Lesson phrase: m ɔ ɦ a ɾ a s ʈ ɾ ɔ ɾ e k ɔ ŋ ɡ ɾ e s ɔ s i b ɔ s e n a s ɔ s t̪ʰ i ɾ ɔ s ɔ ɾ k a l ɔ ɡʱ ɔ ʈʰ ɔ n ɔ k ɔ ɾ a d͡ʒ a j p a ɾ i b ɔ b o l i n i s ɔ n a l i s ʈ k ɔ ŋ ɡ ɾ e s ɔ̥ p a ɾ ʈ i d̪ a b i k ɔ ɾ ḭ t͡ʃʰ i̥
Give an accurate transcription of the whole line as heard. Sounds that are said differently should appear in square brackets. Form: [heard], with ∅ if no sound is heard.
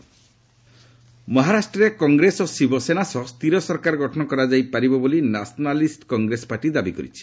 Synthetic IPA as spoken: m ɔ ɦ a ɾ a s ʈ ɾ ɔ ɾ e k ɔ ŋ ɡ ɾ e s ɔ s i b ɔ s e n a s ɔ s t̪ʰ i ɾ ɔ s ɔ ɾ k a [ɾ] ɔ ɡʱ ɔ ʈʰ ɔ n ɔ k ɔ ɾ a d͡ʒ a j p a ɾ i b ɔ b o l i n [a] s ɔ n a l i s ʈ k ɔ ŋ ɡ ɾ e s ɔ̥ p a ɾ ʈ i d̪ a b i k ɔ ɾ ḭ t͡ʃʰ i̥